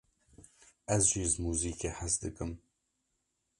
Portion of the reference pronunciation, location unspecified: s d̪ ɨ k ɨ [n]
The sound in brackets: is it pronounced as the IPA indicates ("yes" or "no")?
no